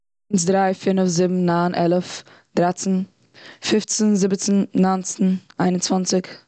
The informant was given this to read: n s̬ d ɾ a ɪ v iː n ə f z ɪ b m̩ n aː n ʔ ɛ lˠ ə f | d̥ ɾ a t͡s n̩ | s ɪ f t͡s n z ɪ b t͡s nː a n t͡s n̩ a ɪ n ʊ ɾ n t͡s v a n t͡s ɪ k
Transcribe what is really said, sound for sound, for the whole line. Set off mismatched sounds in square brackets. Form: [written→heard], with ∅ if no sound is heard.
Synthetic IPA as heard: n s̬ d ɾ a ɪ [v→f] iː n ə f z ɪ b m̩ n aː n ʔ ɛ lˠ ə f | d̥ ɾ a t͡s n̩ | [s→f] ɪ f t͡s n z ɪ b t͡s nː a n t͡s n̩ a ɪ n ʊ [ɾ→∅] n t͡s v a n t͡s ɪ k

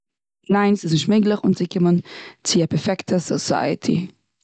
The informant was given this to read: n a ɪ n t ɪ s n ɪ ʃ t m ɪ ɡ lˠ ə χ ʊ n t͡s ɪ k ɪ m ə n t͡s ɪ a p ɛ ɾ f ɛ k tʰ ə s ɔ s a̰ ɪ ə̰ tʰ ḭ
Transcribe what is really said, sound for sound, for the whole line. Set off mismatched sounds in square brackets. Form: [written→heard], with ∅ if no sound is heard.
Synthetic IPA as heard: n a ɪ n [t→s] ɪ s n ɪ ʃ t m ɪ ɡ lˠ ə χ ʊ n t͡s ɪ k ɪ m ə n t͡s ɪ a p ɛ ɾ f ɛ k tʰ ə s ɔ s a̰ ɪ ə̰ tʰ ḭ

